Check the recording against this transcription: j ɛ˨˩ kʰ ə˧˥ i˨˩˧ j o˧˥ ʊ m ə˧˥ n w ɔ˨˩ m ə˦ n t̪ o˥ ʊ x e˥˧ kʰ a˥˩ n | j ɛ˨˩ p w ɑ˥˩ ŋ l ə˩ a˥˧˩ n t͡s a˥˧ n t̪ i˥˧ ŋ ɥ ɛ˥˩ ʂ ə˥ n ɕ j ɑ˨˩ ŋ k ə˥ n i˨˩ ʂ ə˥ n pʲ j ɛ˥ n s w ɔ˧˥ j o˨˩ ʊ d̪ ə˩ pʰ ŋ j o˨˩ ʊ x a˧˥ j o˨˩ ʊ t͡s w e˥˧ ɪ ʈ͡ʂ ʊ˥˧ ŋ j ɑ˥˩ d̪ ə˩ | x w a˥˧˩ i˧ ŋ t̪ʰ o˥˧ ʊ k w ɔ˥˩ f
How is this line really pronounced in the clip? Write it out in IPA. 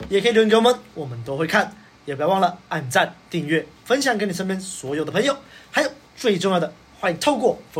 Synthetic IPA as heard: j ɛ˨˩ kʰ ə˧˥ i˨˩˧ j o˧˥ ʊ m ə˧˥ n w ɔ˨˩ m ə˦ n t̪ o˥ ʊ x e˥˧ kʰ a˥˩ n | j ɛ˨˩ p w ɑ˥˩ ŋ l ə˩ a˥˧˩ n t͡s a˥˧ n t̪ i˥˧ ŋ ɥ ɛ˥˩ f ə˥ n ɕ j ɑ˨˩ ŋ k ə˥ n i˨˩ ʂ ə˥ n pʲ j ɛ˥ n s w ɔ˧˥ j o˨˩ ʊ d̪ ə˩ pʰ ŋ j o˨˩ ʊ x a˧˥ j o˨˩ ʊ t͡s w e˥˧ ɪ ʈ͡ʂ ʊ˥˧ ŋ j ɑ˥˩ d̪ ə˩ | x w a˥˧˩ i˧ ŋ t̪ʰ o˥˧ ʊ k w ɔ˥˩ f